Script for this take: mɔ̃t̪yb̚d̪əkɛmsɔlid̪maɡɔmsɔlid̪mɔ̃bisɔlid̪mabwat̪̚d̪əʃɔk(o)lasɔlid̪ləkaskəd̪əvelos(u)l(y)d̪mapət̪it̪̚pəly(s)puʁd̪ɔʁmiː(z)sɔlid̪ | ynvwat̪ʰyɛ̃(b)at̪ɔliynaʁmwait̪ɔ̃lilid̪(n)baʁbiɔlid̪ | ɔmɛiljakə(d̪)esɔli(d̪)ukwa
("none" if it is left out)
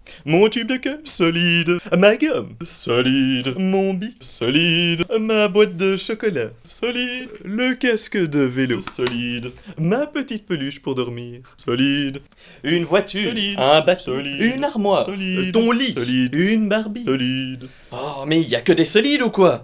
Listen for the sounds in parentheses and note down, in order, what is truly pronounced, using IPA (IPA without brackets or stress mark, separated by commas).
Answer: ɔ, ɔ, i, ʃ, ʁ, b, n, d̪, d̪